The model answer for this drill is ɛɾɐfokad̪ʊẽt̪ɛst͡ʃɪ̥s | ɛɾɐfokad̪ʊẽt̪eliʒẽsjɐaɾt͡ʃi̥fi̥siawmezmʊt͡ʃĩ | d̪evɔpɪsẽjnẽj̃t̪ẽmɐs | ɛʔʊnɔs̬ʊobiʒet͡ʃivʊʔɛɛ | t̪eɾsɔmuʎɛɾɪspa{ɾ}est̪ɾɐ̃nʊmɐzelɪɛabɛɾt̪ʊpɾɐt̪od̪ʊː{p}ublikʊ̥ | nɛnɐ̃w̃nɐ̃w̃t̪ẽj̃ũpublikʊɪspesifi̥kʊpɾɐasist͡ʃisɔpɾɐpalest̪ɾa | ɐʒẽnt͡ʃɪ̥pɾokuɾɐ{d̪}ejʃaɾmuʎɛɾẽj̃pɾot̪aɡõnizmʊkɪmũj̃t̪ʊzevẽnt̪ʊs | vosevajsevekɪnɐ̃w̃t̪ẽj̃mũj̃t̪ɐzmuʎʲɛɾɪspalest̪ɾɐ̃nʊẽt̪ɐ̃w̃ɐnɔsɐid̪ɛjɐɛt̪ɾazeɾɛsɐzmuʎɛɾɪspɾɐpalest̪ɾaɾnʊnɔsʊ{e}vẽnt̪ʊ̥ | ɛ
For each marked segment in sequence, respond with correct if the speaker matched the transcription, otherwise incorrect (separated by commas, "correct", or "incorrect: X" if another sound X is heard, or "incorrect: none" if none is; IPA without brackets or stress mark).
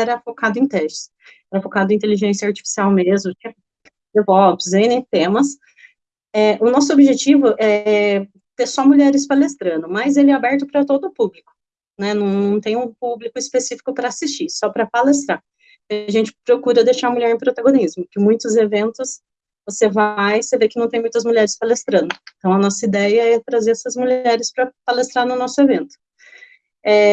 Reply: incorrect: l, correct, correct, correct